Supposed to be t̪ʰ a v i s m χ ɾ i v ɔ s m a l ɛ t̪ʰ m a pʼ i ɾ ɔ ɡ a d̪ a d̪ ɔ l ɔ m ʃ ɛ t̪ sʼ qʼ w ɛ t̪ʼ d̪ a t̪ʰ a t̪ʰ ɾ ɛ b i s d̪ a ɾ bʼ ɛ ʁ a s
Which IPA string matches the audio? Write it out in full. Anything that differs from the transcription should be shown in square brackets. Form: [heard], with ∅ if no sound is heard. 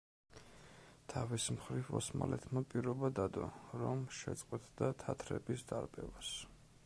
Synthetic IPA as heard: t̪ʰ a v i s m χ ɾ i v ɔ s m a l ɛ t̪ʰ m a pʼ i ɾ ɔ [b] a d̪ a d̪ ɔ [ɾ] ɔ m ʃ ɛ t̪ sʼ qʼ w ɛ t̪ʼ d̪ a t̪ʰ a t̪ʰ ɾ ɛ b i s d̪ a ɾ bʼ ɛ [v] a s